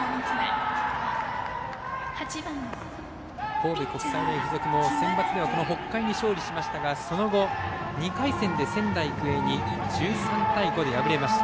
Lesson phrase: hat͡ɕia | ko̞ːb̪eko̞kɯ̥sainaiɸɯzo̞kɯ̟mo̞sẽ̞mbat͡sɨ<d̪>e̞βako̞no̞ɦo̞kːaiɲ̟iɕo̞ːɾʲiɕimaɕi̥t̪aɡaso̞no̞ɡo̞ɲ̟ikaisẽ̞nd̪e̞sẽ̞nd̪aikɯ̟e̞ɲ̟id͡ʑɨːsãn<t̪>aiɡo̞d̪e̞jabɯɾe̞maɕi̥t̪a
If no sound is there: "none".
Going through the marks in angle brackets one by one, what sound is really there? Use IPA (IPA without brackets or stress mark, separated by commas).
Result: d̪, t̪